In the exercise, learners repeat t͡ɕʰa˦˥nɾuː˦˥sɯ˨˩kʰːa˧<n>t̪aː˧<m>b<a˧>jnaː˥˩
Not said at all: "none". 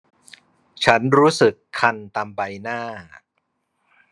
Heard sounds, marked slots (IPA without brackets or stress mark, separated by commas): n, m, a˧